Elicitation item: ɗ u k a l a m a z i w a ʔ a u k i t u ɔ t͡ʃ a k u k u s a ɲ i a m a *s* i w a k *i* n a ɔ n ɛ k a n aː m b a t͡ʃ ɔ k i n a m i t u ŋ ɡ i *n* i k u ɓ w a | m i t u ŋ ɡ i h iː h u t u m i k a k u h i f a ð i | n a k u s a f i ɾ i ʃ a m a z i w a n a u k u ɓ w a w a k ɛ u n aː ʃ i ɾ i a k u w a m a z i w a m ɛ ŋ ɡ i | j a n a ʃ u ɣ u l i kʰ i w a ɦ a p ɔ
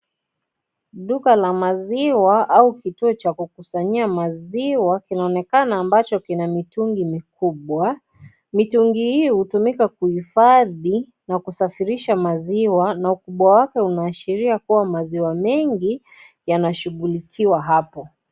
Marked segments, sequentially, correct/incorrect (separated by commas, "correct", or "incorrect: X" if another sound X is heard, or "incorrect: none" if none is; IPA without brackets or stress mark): incorrect: z, correct, incorrect: m